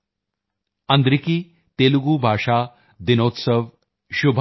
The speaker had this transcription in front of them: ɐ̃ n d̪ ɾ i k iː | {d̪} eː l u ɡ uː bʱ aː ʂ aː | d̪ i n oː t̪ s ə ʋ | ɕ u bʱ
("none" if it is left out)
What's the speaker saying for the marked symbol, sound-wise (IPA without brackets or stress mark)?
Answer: t̪